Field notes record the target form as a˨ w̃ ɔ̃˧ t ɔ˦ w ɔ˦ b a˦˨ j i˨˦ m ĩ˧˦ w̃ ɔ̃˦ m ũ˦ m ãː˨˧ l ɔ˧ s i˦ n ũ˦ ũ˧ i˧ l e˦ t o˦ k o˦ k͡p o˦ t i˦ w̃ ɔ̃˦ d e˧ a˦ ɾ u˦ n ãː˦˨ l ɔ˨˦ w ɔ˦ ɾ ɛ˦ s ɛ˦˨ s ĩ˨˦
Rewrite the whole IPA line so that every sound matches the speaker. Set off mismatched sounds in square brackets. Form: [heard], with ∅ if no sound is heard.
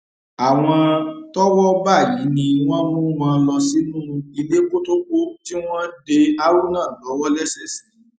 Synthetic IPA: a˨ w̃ ɔ̃˧ t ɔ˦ w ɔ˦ b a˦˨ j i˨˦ [n] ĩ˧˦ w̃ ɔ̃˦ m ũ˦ m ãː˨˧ l ɔ˧ s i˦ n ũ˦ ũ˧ i˧ l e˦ [k] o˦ [t] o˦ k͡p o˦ t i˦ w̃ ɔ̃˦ d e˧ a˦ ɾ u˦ n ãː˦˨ l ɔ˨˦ w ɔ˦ [l] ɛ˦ s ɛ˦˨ s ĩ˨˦